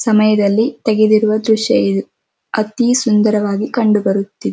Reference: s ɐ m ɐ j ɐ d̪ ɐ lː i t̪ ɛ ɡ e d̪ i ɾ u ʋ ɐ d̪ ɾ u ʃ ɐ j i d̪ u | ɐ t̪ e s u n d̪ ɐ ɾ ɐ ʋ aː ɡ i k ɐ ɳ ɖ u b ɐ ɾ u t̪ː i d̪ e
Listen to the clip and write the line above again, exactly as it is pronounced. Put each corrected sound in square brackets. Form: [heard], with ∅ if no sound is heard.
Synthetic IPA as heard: s ɐ m ɐ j ɐ d̪ ɐ lː i t̪ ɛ ɡ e d̪ i ɾ u ʋ ɐ d̪ ɾ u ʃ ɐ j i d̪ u | ɐ t̪ [i] s u n d̪ ɐ ɾ ɐ ʋ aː ɡ i k ɐ ɳ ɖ u b ɐ ɾ u t̪ː i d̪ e

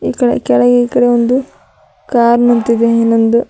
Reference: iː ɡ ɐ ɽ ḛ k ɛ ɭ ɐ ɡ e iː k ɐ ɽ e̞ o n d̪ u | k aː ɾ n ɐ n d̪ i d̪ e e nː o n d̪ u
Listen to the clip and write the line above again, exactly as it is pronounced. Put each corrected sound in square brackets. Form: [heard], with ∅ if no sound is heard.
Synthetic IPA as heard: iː [k] ɐ ɽ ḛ k ɛ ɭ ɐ ɡ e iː k ɐ ɽ e̞ o n d̪ u | k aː ɾ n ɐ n [t̪] i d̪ e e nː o n d̪ u

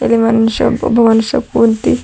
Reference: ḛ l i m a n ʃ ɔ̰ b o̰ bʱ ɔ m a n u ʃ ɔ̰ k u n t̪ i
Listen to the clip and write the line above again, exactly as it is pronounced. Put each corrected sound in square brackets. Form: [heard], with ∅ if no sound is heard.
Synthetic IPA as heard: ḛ l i m a n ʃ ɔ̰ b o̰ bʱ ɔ m a n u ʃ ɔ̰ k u n t̪ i

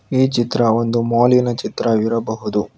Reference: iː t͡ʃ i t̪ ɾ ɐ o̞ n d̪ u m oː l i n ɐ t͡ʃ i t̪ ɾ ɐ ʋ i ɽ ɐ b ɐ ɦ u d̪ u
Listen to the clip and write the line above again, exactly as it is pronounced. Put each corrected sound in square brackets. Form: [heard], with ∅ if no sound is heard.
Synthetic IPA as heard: iː t͡ʃ i t̪ ɾ ɐ o̞ n d̪ u m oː l i n ɐ t͡ʃ i t̪ ɾ ɐ ʋ i [ɾ] ɐ b ɐ ɦ u d̪ u

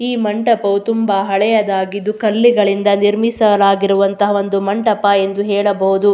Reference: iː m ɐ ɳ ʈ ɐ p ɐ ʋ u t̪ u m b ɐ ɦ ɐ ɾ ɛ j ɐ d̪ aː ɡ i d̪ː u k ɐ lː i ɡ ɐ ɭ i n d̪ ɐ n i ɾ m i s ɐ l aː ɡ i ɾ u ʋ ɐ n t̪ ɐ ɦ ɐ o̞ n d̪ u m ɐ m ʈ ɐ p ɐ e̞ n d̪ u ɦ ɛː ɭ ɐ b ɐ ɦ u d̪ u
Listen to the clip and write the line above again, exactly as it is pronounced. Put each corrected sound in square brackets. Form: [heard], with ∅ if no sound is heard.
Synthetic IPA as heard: iː m ɐ ɳ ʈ ɐ p ɐ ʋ u t̪ u m b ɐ ɦ ɐ [ɭ] ɛ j ɐ d̪ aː ɡ i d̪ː u k ɐ lː i ɡ ɐ ɭ i n d̪ ɐ n i ɾ m i s ɐ l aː ɡ i ɾ u ʋ ɐ n t̪ ɐ ɦ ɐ o̞ n d̪ u m ɐ [ɳ] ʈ ɐ p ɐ e̞ n d̪ u ɦ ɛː ɭ ɐ b ɐ ɦ u d̪ u

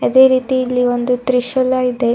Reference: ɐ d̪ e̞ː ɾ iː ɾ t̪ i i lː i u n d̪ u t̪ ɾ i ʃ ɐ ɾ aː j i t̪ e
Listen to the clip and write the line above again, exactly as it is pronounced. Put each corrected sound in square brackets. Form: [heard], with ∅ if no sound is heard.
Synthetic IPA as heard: ɐ d̪ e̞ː ɾ iː [∅] t̪ i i lː i [o] n d̪ u t̪ ɾ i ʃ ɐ [l] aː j i [d̪] e

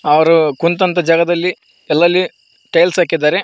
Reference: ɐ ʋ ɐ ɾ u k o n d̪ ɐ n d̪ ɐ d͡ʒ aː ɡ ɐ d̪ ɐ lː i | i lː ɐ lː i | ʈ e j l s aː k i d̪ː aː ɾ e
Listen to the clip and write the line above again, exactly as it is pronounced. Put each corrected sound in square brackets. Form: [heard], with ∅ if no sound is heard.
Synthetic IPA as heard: ɐ ʋ ɐ ɾ u k [u] n [t̪] ɐ n [t̪] ɐ d͡ʒ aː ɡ ɐ d̪ ɐ lː i | [ɛ] lː ɐ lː i | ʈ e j l s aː k i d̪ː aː ɾ e

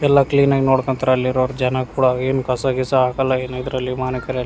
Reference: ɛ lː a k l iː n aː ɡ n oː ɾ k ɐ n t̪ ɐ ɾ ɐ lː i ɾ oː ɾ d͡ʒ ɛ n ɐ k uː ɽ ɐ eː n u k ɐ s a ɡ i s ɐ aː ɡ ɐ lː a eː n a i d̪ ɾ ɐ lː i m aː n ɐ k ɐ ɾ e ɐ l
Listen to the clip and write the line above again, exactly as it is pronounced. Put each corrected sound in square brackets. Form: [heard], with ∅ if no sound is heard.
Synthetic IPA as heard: ɛ lː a k l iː n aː ɡ n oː [ɽ] k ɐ n t̪ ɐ ɾ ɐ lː i ɾ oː ɾ d͡ʒ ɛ n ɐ k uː ɽ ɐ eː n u k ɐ s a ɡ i s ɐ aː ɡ ɐ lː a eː n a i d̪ ɾ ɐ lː i m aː n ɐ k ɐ ɾ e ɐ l

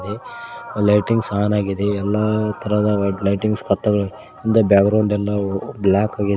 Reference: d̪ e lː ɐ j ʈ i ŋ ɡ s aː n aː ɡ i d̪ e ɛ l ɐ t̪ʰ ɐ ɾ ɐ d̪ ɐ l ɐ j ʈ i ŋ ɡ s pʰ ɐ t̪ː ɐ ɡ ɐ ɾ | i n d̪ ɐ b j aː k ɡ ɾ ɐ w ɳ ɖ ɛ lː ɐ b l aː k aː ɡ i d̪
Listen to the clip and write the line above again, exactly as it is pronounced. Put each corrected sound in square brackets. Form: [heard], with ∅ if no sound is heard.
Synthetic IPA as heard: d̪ e [l] ɐ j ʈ i ŋ ɡ s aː n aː ɡ i d̪ e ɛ [lː] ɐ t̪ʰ ɐ ɾ ɐ d̪ ɐ l ɐ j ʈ i ŋ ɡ s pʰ ɐ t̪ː ɐ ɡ ɐ [ɭ] | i n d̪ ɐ b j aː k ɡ ɾ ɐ w ɳ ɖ ɛ lː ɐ b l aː k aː ɡ i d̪

